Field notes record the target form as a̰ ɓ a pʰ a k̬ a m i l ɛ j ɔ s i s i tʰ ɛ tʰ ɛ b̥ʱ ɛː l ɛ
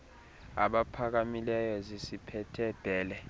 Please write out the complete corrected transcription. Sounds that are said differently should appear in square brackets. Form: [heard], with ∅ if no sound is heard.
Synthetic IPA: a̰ ɓ a pʰ a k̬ a m i l ɛ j ɔ [z] i s i [pʰ] ɛ tʰ ɛ b̥ʱ ɛː l ɛ